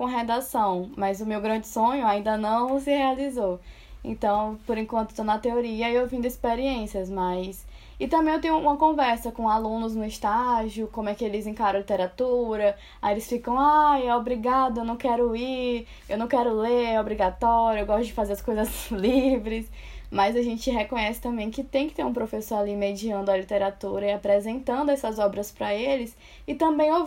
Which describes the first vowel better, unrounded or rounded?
rounded